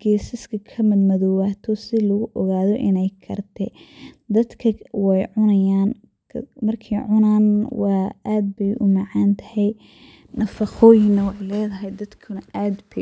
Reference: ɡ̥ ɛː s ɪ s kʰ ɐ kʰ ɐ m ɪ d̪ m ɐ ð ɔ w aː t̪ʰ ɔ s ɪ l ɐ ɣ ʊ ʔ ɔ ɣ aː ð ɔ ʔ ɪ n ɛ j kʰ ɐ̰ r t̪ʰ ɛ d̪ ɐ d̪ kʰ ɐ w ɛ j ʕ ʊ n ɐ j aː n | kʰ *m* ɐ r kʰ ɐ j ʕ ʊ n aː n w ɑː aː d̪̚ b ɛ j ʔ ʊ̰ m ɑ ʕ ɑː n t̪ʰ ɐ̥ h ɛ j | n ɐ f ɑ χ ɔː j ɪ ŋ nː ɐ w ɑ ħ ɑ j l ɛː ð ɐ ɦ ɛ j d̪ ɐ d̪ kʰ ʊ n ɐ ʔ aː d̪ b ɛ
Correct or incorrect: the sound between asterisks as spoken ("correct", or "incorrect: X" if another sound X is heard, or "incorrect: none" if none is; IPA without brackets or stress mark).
correct